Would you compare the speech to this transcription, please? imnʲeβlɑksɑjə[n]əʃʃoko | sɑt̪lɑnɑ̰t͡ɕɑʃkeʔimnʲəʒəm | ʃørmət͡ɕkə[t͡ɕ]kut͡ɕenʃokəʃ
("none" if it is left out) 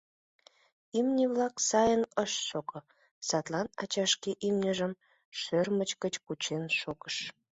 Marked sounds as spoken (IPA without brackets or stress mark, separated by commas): n, t͡ɕ